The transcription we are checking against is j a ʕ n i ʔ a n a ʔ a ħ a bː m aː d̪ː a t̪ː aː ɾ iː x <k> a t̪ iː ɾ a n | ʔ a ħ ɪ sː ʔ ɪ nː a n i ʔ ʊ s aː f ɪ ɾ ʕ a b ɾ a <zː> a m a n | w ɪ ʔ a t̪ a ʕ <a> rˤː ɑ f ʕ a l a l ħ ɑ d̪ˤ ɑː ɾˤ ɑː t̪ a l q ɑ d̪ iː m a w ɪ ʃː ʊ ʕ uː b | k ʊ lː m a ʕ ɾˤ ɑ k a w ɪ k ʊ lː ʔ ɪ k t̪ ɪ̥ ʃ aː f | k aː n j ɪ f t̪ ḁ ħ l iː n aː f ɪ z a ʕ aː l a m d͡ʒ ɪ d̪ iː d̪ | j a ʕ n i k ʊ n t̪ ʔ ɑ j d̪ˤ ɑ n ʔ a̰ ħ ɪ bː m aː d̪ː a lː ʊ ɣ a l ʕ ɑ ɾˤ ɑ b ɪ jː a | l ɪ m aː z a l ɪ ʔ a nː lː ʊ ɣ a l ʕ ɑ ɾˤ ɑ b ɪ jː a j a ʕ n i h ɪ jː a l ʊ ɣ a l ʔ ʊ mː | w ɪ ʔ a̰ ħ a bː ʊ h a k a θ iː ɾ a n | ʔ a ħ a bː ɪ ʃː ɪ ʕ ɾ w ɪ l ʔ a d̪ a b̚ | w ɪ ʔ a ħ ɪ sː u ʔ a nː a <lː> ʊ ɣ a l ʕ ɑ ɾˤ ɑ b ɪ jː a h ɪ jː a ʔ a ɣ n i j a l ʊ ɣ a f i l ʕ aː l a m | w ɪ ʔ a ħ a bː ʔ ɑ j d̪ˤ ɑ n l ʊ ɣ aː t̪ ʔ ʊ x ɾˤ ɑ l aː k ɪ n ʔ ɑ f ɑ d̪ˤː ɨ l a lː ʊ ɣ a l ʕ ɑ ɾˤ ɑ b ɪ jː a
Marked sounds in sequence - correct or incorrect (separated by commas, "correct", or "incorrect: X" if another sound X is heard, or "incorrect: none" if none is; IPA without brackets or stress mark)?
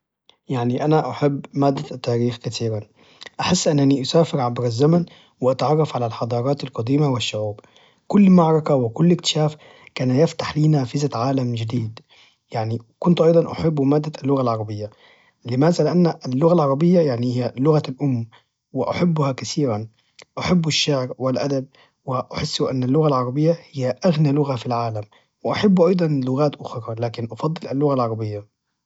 correct, correct, incorrect: ɑ, correct